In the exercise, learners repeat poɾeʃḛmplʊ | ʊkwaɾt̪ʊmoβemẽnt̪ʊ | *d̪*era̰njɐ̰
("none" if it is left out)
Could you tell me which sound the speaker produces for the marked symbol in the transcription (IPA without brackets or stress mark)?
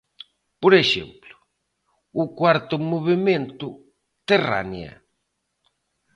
t̪